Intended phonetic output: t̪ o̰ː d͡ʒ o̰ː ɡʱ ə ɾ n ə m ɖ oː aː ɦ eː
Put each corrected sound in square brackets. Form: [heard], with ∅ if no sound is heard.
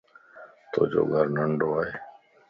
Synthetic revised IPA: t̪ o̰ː d͡ʒ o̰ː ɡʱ ə ɾ n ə [ɳ] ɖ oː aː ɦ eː